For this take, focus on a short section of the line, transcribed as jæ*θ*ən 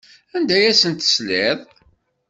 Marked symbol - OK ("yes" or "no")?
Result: no